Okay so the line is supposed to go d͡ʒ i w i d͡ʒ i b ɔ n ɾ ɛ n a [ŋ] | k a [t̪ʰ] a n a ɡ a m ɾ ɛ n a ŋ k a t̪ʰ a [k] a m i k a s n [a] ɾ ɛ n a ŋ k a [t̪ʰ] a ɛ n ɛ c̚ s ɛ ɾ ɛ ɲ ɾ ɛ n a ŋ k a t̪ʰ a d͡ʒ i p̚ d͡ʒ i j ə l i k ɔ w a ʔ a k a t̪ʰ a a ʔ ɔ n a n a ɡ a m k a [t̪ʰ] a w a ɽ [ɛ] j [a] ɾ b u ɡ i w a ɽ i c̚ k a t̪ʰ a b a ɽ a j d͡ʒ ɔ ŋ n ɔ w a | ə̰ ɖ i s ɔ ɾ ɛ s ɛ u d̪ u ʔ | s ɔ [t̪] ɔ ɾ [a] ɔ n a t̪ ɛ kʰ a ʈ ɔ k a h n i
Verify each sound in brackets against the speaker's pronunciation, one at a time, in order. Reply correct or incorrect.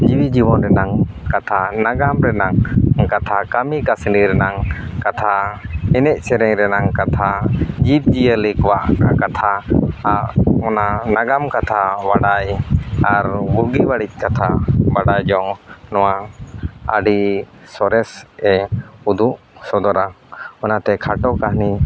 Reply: correct, correct, correct, incorrect, correct, correct, incorrect, correct, incorrect, correct

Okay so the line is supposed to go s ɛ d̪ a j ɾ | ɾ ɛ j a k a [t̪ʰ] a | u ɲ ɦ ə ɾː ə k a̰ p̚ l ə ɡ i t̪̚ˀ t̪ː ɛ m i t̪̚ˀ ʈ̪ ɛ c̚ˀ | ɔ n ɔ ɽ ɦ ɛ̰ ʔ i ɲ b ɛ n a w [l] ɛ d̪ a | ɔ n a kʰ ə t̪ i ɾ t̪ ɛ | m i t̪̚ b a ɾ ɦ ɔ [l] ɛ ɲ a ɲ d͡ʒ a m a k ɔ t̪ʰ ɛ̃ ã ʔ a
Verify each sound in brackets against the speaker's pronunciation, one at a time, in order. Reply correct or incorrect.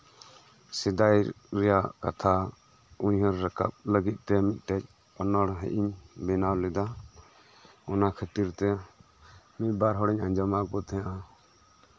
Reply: correct, correct, incorrect

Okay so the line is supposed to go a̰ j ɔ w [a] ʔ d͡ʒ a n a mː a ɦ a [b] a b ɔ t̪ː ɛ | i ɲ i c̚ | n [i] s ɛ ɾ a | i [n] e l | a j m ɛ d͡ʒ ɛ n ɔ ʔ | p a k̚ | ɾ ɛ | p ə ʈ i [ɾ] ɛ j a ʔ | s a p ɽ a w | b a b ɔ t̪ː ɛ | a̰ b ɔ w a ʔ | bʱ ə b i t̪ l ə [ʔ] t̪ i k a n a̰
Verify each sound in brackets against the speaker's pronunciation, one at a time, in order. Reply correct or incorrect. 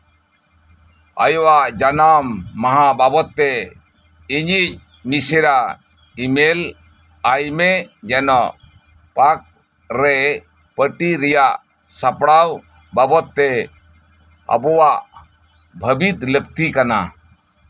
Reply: correct, correct, correct, incorrect, correct, incorrect

